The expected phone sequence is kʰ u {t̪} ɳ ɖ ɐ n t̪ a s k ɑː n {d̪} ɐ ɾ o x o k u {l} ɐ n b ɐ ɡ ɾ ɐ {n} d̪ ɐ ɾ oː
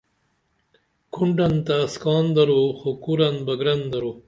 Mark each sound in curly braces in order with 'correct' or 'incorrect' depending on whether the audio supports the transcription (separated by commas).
incorrect, correct, incorrect, correct